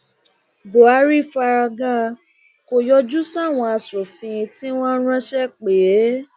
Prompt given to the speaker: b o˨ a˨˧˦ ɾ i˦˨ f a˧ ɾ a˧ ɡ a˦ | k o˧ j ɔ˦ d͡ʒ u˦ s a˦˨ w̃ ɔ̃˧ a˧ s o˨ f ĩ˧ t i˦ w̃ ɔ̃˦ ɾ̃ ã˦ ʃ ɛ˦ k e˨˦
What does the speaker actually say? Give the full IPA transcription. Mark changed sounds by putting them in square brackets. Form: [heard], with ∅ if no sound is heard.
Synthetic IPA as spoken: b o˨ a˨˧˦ ɾ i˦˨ f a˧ ɾ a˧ ɡ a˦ | k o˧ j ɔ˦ d͡ʒ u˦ s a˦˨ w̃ ɔ̃˧ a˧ s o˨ f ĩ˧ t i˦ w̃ ɔ̃˦ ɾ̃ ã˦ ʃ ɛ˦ [k͡p] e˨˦